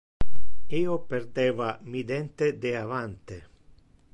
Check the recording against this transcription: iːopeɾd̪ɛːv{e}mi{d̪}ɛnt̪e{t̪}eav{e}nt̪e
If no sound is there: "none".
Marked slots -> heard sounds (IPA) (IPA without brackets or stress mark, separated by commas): a, d̪, d̪, a